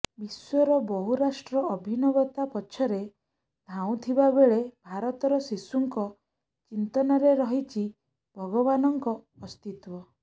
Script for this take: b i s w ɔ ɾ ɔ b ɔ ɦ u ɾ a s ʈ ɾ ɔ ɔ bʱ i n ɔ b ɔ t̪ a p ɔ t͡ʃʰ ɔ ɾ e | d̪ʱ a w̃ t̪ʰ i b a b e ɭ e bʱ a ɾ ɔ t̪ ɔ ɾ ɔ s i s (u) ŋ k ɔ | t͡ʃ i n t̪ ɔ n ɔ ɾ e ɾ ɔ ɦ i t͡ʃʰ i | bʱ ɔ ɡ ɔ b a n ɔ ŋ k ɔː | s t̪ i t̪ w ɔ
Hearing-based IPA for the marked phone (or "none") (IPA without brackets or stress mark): u